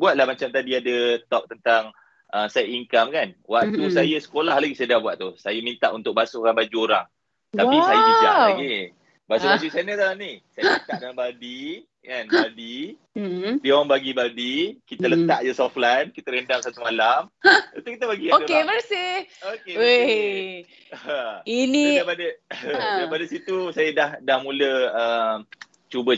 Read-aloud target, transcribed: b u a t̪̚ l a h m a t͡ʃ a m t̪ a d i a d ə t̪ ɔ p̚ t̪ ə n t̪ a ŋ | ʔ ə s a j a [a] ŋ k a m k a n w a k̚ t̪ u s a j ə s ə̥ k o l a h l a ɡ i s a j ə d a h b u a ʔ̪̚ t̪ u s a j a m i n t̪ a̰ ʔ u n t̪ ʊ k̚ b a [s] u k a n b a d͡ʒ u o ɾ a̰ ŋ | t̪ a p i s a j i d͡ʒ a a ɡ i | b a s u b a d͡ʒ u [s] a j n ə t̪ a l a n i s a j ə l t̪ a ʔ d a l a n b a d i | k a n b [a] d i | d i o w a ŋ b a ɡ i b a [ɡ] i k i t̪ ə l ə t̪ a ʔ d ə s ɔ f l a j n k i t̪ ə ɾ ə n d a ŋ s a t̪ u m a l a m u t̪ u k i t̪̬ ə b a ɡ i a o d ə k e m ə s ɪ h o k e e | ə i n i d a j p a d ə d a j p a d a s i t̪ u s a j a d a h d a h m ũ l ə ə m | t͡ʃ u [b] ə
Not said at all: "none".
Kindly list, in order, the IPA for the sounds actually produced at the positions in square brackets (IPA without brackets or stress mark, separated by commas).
i, s, s, a, d, b